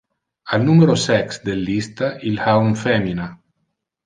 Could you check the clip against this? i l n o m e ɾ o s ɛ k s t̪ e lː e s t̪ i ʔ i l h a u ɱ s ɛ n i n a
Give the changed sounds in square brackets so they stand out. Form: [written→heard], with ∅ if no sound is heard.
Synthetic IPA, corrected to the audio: [i→a] l n [o→u] m e ɾ o s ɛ k s [t̪→d̪] e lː [e→i] s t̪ [i→a] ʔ i l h a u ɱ [s→f] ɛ [n→m] i n a